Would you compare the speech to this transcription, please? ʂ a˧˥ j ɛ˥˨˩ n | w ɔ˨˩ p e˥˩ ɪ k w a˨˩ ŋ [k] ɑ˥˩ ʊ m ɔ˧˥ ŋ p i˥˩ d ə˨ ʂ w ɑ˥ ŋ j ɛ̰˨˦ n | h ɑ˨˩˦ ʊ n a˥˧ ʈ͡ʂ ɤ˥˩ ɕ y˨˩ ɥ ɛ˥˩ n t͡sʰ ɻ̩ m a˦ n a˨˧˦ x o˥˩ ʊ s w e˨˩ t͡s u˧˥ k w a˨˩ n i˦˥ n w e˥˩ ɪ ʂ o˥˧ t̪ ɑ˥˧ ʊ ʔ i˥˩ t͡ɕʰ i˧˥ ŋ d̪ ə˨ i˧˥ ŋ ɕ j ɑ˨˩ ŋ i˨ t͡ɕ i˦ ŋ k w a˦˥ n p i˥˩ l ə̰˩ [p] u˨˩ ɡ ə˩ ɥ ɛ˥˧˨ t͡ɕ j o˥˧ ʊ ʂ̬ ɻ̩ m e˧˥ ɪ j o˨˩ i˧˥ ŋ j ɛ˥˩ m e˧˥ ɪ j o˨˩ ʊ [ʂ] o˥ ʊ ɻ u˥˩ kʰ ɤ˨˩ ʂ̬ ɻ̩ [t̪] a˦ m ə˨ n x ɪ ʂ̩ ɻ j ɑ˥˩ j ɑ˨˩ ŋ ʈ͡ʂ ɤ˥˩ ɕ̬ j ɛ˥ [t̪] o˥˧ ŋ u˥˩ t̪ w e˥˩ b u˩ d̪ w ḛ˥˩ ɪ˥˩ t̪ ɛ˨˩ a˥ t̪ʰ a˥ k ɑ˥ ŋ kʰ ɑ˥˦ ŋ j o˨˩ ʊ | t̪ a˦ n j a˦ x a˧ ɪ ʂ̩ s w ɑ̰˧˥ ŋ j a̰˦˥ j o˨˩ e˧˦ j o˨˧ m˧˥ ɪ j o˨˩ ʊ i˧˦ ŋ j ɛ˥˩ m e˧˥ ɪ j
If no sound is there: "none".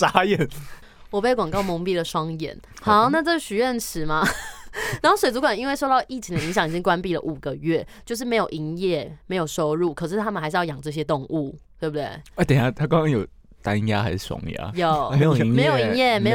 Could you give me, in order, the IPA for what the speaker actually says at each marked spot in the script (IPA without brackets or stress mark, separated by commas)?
k, ʔ, ʂ, t̪ʰ, t̪